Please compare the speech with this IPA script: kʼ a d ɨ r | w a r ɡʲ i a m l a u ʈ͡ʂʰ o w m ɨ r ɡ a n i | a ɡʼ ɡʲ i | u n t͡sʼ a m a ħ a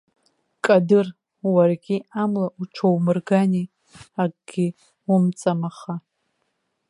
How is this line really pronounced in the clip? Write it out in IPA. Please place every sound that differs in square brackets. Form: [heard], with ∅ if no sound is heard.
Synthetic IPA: kʼ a d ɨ r | w a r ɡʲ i a m l a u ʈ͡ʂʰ o w m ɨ r ɡ a n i | a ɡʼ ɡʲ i | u [m] t͡sʼ a m a [χ] a